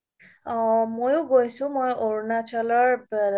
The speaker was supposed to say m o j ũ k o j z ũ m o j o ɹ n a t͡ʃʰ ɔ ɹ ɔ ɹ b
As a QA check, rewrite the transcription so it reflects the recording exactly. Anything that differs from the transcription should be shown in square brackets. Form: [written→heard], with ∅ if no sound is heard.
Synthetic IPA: m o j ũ [k→ɡ] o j [z→s] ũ m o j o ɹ n a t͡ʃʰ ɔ [ɹ→l] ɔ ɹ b

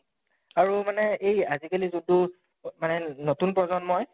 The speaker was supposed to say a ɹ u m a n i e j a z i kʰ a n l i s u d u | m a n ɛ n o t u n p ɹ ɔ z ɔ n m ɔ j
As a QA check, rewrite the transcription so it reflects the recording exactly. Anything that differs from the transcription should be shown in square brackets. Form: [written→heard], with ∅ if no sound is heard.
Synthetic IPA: a ɹ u m a n [i→ɛ] e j a z i [kʰ→k] a [n→∅] l i [s→z] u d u | m a n ɛ n o t u n p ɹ ɔ z ɔ n m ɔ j

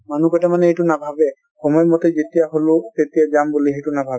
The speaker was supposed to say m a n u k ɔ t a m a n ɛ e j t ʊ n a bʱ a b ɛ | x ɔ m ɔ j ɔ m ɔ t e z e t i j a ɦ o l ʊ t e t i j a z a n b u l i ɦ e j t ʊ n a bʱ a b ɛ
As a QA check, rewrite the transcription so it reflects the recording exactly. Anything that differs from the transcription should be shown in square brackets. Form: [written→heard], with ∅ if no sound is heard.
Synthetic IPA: m a n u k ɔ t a m a n ɛ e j t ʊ n a bʱ a b ɛ | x ɔ m ɔ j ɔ m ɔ t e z e t i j a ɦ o l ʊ t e t i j a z a [n→m] b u l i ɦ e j t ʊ n a bʱ a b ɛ

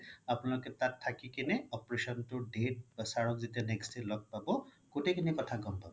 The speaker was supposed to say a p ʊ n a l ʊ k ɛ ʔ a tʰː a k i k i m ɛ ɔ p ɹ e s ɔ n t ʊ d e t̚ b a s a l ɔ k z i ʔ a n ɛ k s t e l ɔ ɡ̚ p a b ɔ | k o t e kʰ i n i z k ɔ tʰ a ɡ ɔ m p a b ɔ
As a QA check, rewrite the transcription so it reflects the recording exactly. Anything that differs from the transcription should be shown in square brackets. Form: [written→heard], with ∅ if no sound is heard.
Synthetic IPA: a p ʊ n a l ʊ k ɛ [ʔ→t] a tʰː a k i k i [m→n] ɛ ɔ p ɹ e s ɔ n t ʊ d e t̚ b a s a [l→ɹ] ɔ k z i [ʔ→t] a n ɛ k s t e l ɔ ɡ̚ p a b ɔ | k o t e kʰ i n i [z→∅] k ɔ tʰ a ɡ ɔ m p a b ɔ

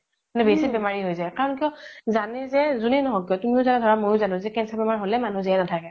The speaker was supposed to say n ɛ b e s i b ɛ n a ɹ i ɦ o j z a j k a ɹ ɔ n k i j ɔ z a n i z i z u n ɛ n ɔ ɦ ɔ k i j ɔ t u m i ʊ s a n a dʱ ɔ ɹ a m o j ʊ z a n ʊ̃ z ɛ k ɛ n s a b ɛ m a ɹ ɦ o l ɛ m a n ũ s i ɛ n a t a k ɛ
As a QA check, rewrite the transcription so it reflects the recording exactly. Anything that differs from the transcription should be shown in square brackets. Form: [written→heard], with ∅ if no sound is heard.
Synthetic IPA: n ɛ b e s i b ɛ [n→m] a ɹ i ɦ o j z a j k a ɹ ɔ n k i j ɔ z a n [i→ɛ] z [i→ɛ] z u n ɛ n ɔ ɦ ɔ k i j ɔ t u m i ʊ [s→z] a n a dʱ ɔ ɹ a m o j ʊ z a n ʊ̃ z ɛ k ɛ n s a b ɛ m a ɹ ɦ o l ɛ m a n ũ [s→z] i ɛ n a [t→tʰ] a k ɛ

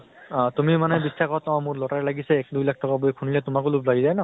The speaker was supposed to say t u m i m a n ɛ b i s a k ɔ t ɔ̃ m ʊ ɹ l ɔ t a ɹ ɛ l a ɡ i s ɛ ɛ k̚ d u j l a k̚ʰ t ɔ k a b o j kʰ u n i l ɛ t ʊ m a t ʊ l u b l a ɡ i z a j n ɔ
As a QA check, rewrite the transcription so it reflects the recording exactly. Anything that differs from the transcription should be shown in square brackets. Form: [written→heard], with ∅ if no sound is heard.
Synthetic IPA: t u m i m a n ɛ b i s a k ɔ t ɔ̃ m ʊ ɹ l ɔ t a ɹ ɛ l a ɡ i s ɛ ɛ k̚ d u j l a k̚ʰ t ɔ k a b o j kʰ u n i l ɛ t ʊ m a [t→k] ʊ l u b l a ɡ i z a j n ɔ

